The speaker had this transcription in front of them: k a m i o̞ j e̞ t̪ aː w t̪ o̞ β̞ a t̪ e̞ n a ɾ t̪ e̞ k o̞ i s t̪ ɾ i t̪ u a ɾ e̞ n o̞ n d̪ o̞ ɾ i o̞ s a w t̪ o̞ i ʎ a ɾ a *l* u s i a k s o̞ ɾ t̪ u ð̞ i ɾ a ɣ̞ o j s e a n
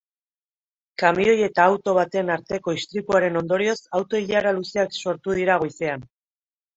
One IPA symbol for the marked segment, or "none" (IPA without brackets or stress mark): l